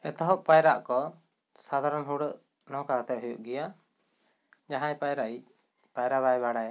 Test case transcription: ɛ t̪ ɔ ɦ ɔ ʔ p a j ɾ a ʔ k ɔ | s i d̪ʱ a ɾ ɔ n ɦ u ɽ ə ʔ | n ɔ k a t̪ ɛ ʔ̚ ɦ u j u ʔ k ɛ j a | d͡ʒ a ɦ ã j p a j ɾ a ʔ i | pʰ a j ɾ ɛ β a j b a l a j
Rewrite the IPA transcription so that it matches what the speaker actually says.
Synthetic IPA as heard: ɛ t̪ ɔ ɦ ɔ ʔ p a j ɾ a ʔ k ɔ | s a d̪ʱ a ɾ ɔ n ɦ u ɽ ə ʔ | n ɔ k a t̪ ɛ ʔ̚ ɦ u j u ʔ ɡ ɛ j a | d͡ʒ a ɦ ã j p a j ɾ a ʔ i | p a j ɾ a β a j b a ɽ a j